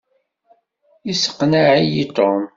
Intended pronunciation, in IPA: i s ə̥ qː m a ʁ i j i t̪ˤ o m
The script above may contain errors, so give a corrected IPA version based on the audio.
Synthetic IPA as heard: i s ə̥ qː n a ʕ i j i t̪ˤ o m